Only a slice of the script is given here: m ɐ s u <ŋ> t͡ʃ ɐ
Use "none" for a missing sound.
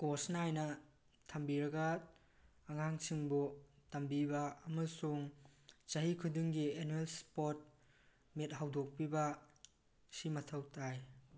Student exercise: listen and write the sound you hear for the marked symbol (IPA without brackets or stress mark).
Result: ŋ